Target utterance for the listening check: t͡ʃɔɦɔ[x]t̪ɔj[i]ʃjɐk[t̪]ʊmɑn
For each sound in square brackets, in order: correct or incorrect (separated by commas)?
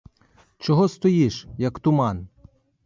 incorrect, correct, correct